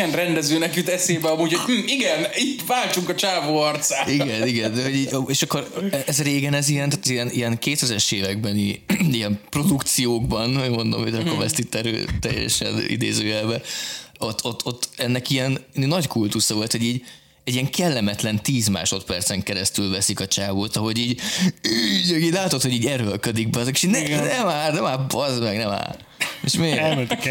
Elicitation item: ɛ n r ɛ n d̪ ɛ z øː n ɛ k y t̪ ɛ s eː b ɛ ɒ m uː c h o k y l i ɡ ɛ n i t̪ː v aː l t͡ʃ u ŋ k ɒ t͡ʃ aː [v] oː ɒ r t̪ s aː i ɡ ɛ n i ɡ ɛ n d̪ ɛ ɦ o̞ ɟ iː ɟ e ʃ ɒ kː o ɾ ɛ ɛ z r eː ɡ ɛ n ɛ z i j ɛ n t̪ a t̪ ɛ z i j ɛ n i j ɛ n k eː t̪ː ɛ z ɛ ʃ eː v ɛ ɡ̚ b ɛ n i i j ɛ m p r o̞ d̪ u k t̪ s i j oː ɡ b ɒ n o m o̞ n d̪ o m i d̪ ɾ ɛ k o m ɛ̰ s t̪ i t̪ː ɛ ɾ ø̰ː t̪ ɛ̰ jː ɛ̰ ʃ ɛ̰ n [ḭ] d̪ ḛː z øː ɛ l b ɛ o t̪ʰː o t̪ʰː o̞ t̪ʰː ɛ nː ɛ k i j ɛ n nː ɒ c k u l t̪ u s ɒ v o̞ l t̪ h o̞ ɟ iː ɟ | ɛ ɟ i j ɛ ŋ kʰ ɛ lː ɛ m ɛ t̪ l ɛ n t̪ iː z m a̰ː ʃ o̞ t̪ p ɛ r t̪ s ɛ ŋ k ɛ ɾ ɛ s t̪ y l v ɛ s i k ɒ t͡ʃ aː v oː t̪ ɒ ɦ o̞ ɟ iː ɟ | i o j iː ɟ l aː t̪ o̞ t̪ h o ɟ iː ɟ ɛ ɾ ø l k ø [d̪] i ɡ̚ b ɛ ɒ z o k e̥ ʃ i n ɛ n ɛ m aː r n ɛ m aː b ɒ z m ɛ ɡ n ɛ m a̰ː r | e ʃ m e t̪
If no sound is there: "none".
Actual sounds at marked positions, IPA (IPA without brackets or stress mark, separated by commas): v, ḭ, d̪